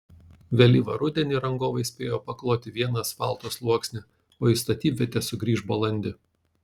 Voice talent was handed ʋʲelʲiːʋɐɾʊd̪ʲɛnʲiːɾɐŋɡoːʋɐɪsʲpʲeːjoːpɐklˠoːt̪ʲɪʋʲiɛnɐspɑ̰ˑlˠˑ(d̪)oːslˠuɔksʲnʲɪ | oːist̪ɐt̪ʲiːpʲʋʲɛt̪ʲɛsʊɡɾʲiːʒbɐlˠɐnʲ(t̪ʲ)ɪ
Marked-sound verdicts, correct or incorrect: incorrect, incorrect

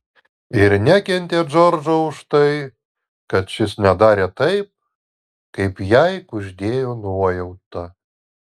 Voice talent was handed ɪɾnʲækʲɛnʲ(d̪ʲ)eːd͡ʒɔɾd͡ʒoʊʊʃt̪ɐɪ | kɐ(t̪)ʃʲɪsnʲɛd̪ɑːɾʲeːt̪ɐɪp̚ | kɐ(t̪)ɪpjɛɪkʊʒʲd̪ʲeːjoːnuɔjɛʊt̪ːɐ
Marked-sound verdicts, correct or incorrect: incorrect, correct, incorrect

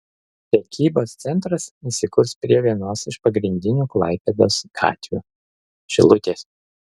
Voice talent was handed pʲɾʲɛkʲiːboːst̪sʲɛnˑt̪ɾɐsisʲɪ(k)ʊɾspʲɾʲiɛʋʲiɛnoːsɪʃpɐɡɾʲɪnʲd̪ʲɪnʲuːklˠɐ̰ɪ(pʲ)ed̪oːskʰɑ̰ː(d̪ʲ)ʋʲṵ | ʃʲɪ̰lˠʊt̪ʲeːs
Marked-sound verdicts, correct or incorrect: correct, correct, incorrect

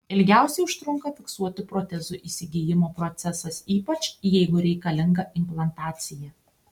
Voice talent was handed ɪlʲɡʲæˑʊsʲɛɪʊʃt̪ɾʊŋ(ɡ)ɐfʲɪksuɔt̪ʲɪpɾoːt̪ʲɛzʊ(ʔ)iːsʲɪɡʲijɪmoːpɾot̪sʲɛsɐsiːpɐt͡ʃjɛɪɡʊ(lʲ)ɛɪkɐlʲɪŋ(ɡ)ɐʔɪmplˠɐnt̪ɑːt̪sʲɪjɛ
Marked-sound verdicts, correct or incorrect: incorrect, correct, incorrect, correct

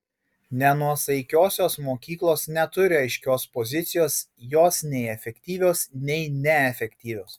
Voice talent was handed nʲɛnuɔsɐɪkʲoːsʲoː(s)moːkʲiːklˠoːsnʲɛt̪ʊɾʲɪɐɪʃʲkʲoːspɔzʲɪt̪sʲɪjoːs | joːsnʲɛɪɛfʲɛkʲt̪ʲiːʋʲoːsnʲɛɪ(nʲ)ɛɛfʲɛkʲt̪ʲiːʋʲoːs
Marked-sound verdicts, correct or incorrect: correct, correct

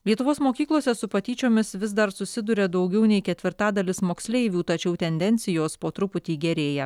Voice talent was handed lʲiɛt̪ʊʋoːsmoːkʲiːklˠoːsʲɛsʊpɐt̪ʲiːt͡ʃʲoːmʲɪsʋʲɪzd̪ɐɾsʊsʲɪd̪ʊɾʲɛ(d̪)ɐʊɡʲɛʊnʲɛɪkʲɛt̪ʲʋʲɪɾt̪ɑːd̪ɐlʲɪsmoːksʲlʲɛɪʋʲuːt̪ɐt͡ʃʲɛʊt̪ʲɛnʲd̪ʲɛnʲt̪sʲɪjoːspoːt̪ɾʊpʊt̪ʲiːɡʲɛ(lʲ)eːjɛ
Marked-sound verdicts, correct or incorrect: correct, incorrect

